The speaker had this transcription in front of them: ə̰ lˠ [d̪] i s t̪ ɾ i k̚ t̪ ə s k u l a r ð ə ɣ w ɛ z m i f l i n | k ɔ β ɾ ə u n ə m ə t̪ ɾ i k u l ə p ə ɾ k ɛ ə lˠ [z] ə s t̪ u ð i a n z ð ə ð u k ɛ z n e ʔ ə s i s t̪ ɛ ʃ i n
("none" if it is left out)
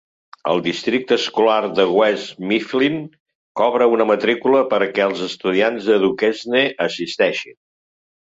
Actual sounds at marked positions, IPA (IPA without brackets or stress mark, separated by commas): d̪, z